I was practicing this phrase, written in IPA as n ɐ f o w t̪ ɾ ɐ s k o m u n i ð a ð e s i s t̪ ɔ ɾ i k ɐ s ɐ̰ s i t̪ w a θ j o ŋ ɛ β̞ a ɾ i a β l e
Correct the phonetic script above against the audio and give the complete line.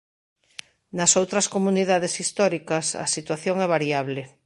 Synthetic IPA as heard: n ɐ s o w t̪ ɾ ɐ s k o m u n i ð a ð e s i s t̪ ɔ ɾ i k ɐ s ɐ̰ s i t̪ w a θ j o ŋ ɛ β̞ a ɾ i a β l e